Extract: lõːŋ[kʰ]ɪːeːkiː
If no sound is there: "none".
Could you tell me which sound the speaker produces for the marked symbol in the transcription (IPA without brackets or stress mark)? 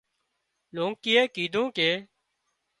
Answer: k